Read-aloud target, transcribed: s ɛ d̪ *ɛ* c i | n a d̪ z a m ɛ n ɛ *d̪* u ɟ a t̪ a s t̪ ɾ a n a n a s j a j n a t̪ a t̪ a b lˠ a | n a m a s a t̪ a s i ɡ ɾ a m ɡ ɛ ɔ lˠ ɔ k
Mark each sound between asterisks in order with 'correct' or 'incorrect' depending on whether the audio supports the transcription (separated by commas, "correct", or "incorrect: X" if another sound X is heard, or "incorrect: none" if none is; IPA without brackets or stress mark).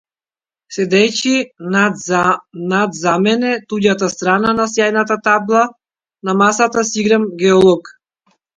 correct, incorrect: t̪